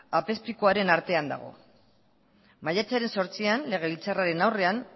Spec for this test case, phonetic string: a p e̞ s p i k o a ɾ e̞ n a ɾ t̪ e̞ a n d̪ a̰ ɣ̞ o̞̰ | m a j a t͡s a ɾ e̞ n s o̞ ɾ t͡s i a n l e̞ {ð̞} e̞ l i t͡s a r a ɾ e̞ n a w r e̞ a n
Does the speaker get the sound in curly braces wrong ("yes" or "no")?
yes